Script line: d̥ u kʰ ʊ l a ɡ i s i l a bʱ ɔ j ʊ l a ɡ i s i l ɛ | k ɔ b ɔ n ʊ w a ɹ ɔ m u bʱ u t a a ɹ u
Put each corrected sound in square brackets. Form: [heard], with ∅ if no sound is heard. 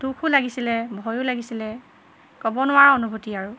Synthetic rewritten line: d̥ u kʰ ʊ l a ɡ i s i l [ɛ] bʱ ɔ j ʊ l a ɡ i s i l ɛ | k ɔ b ɔ n ʊ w a ɹ ɔ [n] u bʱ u t [i] a ɹ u

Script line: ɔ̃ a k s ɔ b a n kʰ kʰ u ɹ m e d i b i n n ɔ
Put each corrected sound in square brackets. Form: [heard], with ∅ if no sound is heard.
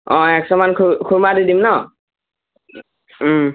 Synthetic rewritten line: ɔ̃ [ɛ] k s ɔ [m] a n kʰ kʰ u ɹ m [a] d i [d] i [m] n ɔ

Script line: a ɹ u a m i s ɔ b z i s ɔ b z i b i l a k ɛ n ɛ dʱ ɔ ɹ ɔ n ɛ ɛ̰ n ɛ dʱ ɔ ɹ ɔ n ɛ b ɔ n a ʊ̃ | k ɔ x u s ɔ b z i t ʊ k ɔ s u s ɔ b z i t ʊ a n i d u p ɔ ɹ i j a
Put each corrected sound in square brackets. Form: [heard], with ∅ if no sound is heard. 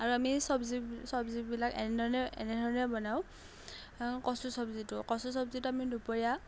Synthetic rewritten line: a ɹ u a m i s ɔ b z i s ɔ b z i b i l a k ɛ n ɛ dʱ ɔ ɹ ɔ n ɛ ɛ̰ n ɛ dʱ ɔ ɹ ɔ n ɛ b ɔ n a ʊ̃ | k ɔ [s] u s ɔ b z i t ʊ k ɔ s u s ɔ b z i t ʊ a [m] i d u p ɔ ɹ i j a

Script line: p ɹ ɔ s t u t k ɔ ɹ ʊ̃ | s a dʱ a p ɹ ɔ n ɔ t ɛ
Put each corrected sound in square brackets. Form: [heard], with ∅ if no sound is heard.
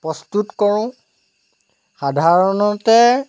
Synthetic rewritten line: p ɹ ɔ s t u t k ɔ ɹ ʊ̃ | [x] a dʱ a [∅] ɹ ɔ n ɔ t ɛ

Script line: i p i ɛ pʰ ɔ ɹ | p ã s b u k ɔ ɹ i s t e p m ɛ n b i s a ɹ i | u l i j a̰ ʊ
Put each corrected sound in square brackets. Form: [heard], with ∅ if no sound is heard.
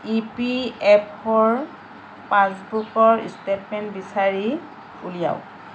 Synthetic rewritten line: i p i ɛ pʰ ɔ ɹ | p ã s b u k ɔ ɹ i s t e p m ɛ n b i s a ɹ i | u l i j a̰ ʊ

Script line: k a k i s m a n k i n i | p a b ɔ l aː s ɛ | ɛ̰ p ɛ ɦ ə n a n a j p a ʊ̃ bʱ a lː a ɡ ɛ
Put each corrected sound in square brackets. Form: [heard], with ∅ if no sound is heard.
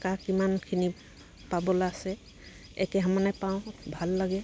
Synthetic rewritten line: k a k i [∅] m a n [kʰ] i n i | p a b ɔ l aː s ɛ | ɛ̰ [k] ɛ ɦ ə [m] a n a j p a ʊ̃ bʱ a lː a ɡ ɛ

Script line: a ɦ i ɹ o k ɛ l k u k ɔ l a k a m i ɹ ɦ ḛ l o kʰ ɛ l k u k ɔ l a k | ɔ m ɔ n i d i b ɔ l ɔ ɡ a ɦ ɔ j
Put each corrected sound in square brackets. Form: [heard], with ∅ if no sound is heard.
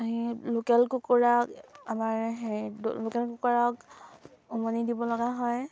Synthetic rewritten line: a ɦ i [l] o k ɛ l k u k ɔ [ɹ] a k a m [a] ɹ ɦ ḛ l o [k] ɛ l k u k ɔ [ɹ] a k | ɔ m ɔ n i d i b ɔ l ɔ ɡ a ɦ ɔ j

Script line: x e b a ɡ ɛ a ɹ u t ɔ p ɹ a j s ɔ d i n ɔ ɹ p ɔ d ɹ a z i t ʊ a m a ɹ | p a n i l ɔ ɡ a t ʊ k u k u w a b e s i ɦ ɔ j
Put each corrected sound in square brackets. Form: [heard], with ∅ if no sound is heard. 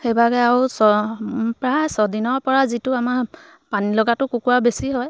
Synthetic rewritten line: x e b a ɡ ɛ a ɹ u [s] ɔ p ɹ a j s ɔ d i n ɔ ɹ p ɔ [∅] ɹ a z i t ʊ a m a ɹ | p a n i l ɔ ɡ a t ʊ k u k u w a b e s i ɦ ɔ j

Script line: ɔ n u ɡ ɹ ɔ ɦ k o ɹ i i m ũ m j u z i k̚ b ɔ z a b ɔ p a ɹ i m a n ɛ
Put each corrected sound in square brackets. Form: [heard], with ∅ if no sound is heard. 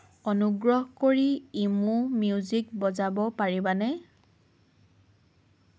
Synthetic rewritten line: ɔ n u ɡ ɹ ɔ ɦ k o ɹ i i m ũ m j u z i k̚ b ɔ z a b ɔ p a ɹ i [b] a n ɛ

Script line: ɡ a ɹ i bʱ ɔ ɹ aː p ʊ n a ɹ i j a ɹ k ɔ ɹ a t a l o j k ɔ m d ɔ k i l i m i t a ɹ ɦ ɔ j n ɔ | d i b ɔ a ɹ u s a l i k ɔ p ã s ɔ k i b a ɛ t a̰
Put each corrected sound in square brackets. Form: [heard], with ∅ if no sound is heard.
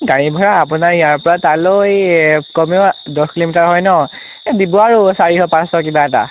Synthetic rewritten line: ɡ a ɹ i bʱ ɔ ɹ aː p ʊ n a ɹ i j a ɹ [p] ɔ ɹ a t a l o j k ɔ m d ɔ k i l i m i t a ɹ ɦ ɔ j n ɔ | d i b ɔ a ɹ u s a [ɹ] i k ɔ p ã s ɔ k i b a ɛ t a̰

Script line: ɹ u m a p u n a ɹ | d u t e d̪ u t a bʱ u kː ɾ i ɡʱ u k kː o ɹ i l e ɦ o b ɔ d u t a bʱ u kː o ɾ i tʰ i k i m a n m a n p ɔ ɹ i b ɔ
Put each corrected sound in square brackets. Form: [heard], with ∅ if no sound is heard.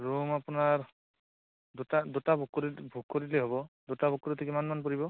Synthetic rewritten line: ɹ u m a p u n a ɹ | d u t [a] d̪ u t a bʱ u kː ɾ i [bʱ] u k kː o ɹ i l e ɦ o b ɔ d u t a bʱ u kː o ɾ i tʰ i k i m a n m a n p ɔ ɹ i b ɔ

